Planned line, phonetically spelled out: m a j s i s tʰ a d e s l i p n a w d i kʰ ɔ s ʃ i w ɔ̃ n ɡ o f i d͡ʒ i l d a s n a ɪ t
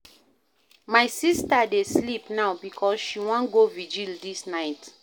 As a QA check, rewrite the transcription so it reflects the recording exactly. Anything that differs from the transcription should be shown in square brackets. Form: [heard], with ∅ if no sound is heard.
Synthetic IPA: m a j s i s [t] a d e s l i p n a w [b] i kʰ ɔ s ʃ i w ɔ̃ n ɡ o [v] i d͡ʒ i l d [i] s n a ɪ t